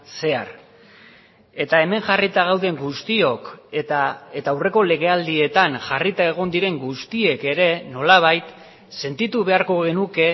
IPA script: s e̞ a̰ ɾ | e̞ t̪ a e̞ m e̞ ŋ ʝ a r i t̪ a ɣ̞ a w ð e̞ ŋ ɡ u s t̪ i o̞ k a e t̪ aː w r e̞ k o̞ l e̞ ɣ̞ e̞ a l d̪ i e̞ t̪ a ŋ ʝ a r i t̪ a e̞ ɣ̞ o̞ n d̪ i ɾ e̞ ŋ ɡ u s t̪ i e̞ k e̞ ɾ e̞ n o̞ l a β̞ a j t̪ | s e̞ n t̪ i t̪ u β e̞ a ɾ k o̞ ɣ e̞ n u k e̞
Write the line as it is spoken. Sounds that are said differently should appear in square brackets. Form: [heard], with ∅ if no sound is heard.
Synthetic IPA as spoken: s e̞ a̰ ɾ | e̞ t̪ a e̞ m e̞ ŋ ʝ a r i t̪ a ɣ̞ a w ð e̞ ŋ ɡ u s t̪ i o̞ k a e t̪ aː w r e̞ k o̞ l e̞ ɣ̞ e̞ a l d̪ i e̞ t̪ a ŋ ʝ a r i t̪ a e̞ ɣ̞ o̞ n d̪ i ɾ e̞ ŋ ɡ u s t̪ i e̞ k e̞ ɾ e̞ n o̞ l a β̞ a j t̪ | s e̞ n t̪ i t̪ u β e̞ a ɾ k o̞ ɣ e̞ n u k e̞